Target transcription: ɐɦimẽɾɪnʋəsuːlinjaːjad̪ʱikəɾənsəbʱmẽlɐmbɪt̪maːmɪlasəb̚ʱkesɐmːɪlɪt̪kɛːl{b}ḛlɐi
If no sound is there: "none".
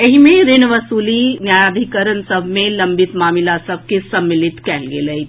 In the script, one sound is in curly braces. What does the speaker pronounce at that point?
ɡ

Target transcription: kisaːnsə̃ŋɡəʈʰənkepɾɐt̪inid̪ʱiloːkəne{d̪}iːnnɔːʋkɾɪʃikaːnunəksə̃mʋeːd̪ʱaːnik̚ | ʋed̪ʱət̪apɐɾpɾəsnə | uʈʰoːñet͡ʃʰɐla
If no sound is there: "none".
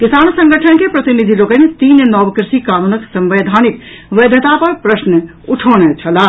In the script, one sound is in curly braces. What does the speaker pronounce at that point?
t̪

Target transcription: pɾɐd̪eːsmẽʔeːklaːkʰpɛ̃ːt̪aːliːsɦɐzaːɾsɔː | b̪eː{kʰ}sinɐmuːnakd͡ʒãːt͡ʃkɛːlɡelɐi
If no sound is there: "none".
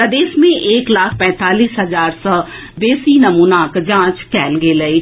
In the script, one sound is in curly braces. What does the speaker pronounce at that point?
none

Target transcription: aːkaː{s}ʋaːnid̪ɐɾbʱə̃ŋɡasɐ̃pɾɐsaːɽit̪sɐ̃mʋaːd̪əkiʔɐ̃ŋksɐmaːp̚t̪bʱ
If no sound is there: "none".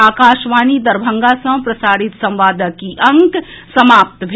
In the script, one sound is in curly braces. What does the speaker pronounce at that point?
ʃ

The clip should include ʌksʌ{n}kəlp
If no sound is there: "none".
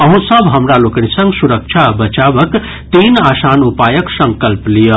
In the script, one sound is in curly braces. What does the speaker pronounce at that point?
ŋ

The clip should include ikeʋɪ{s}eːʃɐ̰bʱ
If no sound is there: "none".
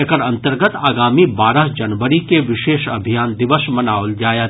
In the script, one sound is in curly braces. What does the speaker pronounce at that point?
ʃ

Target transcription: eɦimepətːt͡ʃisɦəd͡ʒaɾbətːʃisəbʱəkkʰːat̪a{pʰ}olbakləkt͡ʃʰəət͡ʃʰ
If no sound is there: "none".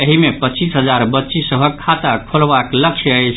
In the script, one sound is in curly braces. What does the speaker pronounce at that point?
kʰ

